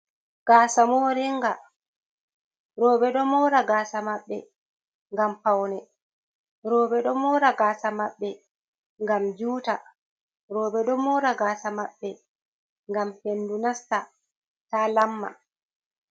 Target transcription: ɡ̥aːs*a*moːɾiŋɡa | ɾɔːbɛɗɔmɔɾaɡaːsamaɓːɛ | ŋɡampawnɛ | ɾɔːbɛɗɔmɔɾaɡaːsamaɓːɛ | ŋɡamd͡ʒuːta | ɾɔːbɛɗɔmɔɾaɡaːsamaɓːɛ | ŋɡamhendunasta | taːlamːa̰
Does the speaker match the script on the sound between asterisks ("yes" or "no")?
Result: yes